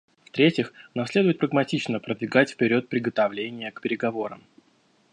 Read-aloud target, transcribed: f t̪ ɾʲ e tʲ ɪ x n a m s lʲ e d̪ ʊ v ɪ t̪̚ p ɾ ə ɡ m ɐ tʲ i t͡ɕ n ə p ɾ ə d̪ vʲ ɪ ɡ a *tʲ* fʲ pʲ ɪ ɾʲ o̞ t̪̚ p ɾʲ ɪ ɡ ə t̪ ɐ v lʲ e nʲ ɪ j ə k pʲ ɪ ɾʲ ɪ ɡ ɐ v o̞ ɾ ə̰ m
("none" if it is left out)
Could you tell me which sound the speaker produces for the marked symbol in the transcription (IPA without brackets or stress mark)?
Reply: tʲ